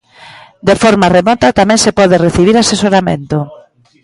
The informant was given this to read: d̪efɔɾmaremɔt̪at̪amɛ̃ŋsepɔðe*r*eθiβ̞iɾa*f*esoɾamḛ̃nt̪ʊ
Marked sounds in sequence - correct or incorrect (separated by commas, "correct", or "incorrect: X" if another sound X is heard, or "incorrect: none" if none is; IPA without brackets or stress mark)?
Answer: correct, incorrect: s